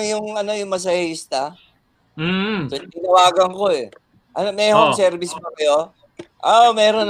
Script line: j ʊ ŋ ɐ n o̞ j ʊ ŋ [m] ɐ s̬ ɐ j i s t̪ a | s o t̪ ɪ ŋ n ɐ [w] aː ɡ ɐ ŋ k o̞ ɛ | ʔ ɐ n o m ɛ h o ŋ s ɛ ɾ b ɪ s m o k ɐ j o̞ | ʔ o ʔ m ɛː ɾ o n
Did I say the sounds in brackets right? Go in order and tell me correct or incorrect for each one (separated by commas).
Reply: correct, correct